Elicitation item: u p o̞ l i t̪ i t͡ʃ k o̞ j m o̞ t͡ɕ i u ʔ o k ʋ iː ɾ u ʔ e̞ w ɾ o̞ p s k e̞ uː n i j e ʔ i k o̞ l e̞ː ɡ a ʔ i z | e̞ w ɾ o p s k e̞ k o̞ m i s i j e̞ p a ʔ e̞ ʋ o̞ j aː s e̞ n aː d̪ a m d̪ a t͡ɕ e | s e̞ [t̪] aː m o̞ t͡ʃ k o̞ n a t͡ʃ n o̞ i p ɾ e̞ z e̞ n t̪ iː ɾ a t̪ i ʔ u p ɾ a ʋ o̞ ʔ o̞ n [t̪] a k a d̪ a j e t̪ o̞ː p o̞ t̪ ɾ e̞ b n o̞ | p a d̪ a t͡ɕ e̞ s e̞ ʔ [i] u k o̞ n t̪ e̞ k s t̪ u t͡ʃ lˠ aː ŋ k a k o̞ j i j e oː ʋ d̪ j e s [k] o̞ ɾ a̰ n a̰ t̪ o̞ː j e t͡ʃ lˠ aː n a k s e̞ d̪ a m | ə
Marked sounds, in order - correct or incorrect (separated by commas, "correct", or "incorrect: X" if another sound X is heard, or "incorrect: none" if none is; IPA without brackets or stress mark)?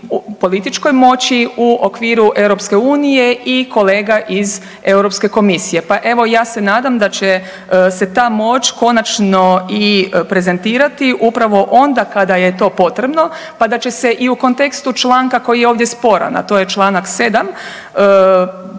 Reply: correct, incorrect: d̪, correct, incorrect: p